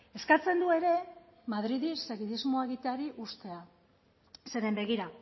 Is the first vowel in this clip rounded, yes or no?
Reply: no